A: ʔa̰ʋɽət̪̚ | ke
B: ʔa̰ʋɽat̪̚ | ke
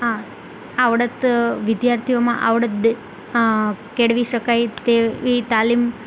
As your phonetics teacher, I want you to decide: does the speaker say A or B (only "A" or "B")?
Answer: A